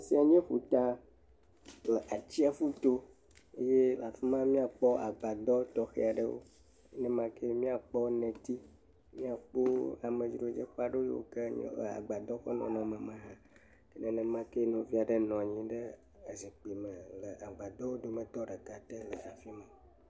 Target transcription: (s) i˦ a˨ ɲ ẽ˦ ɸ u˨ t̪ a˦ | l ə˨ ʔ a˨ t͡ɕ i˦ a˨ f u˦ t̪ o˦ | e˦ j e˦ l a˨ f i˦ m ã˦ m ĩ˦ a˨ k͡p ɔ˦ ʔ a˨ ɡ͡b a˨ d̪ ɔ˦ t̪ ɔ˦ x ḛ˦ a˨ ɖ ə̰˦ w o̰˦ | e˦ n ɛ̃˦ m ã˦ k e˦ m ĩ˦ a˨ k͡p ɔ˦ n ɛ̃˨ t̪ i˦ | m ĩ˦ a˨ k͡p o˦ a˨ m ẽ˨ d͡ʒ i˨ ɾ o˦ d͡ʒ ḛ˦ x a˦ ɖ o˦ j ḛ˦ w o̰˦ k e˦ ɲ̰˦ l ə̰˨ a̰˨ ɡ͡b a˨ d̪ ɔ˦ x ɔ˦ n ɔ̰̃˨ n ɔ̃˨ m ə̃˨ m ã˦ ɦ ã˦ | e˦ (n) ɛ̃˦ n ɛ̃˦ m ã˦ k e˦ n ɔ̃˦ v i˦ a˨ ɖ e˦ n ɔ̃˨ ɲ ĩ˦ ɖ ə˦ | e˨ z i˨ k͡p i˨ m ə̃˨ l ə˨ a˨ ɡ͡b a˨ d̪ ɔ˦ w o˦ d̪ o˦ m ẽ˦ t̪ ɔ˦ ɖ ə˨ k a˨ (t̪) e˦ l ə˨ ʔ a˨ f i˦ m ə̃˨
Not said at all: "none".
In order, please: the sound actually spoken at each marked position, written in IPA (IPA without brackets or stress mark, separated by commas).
s, n, t̪